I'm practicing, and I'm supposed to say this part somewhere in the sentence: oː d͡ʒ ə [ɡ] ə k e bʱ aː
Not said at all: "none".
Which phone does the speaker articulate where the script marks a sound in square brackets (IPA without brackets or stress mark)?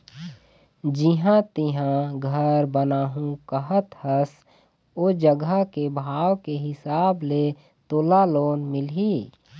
ɡ